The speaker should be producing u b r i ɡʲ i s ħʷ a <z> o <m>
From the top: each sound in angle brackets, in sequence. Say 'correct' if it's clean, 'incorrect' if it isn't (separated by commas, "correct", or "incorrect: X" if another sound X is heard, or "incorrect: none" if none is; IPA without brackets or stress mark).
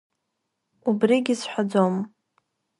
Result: incorrect: d͡z, correct